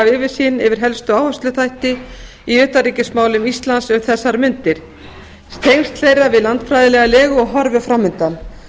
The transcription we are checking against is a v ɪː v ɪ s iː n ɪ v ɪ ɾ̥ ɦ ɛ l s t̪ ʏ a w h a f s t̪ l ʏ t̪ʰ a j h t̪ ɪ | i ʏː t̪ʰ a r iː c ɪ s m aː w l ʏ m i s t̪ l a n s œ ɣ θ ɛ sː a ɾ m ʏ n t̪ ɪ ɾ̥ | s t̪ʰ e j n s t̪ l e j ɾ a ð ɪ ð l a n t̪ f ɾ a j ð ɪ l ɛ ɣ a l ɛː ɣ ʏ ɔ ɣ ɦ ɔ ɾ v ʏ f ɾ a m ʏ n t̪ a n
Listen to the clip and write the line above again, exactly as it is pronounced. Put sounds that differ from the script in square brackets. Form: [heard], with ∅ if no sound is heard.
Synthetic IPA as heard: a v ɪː v ɪ s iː n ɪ v ɪ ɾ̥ ɦ ɛ l s t̪ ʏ a w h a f s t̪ l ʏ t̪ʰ a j h t̪ ɪ | i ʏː [t̪] a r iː c ɪ s m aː w l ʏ m i s t̪ l a n s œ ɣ θ ɛ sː a ɾ m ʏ n t̪ ɪ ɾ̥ | s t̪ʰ e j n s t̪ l e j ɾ a [v] ɪ ð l a n t̪ f ɾ a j ð ɪ l ɛ ɣ a l ɛː ɣ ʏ ɔ ɣ ɦ ɔ ɾ v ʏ f ɾ a m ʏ n t̪ a n